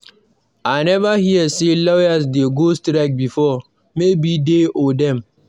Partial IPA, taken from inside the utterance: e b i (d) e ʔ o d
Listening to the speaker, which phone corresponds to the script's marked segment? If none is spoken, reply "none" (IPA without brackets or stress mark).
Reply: d